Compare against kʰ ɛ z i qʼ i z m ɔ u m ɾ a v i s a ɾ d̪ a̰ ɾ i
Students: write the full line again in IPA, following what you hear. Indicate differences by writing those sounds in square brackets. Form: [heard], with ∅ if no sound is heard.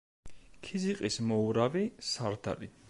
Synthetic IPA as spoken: kʰ [i] z i qʼ i [s] m ɔ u [∅] ɾ a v i s a ɾ d̪ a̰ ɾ i